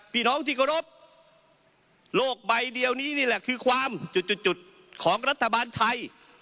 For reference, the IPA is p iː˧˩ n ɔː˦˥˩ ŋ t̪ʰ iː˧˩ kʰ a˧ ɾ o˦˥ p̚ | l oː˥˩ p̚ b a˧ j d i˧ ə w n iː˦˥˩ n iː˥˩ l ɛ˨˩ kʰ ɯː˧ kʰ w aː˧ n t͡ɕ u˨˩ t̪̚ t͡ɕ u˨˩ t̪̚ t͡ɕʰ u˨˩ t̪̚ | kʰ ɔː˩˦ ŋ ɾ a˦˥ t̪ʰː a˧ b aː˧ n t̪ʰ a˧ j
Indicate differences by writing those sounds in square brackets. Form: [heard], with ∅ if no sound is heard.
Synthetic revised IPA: p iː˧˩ n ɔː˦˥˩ ŋ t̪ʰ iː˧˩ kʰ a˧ ɾ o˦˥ p̚ | l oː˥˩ [k̚] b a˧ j d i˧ ə w n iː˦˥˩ n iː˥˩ l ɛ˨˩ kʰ ɯː˧ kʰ w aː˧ [m] t͡ɕ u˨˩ t̪̚ t͡ɕ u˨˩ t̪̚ [t͡ɕ] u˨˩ t̪̚ | kʰ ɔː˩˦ ŋ ɾ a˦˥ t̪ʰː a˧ b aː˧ n t̪ʰ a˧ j